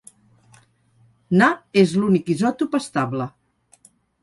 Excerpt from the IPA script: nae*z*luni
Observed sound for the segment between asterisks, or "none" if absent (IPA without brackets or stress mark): z